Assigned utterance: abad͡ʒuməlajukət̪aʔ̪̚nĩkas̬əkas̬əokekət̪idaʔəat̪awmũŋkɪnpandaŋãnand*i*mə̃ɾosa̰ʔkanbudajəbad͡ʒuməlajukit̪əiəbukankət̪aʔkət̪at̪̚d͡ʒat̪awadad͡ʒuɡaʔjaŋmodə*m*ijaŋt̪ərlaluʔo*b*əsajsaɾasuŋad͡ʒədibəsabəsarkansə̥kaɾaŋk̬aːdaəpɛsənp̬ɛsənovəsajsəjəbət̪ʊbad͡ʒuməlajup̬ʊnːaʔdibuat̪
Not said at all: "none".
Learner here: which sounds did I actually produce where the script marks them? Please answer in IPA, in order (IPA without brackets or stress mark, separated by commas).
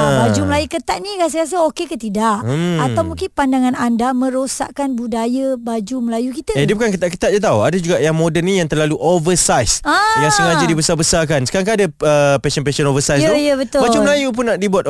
a, n, v